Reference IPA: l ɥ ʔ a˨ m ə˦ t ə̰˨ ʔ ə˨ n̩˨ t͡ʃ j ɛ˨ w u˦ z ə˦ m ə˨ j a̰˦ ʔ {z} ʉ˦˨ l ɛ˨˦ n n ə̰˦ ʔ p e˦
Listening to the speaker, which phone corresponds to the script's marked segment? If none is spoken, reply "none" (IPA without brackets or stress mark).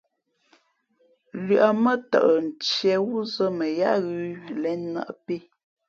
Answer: ɣ